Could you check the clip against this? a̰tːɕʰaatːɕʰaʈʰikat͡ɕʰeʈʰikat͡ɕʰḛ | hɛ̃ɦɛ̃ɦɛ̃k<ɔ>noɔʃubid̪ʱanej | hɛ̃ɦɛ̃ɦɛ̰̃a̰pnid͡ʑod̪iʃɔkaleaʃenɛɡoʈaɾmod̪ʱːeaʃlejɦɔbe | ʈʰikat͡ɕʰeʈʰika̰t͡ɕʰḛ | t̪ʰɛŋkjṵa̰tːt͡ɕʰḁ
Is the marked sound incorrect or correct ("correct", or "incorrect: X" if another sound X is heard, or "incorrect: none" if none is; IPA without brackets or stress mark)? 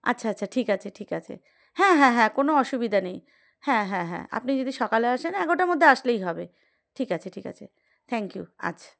incorrect: o